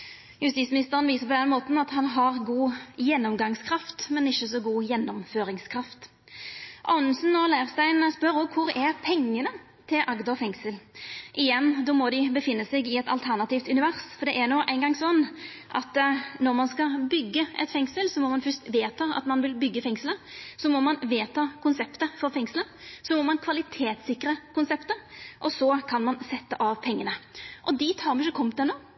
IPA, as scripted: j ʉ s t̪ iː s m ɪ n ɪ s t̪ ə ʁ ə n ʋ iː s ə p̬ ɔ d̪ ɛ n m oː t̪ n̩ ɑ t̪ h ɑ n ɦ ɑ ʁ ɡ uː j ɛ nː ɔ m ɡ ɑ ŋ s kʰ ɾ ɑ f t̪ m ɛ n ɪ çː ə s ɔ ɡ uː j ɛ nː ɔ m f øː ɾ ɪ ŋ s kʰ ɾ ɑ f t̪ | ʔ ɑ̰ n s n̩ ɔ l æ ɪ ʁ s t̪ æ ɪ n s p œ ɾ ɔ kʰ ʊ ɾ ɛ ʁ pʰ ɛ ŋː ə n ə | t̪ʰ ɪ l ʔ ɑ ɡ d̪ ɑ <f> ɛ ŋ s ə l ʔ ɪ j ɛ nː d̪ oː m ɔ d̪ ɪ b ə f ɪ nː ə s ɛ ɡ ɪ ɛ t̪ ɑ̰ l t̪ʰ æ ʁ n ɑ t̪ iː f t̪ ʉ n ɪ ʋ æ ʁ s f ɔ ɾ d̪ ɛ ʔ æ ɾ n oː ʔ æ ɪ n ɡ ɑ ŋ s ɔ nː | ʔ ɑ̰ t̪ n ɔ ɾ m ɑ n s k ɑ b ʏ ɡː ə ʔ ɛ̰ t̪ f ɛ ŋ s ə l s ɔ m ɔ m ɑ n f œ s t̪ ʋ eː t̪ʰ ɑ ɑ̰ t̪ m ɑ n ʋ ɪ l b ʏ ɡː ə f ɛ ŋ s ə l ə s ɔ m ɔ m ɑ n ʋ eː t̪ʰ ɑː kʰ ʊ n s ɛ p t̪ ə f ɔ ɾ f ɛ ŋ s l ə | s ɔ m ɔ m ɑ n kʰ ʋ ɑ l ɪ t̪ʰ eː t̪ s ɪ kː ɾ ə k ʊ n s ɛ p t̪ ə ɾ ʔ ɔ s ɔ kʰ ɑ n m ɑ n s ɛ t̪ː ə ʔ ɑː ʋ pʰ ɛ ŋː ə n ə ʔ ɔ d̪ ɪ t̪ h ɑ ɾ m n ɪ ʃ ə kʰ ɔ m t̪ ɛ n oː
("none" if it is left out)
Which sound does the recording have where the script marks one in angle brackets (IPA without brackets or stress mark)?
f